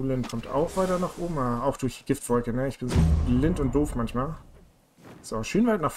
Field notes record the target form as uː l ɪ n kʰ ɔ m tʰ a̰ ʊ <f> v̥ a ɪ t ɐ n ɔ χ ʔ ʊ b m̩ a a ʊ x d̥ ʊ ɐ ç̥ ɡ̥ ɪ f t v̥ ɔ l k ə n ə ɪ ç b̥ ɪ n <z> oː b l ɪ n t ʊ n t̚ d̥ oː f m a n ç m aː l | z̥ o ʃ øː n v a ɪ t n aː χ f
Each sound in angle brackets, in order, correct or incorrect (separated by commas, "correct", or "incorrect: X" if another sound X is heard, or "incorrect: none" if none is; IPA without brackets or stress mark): incorrect: x, correct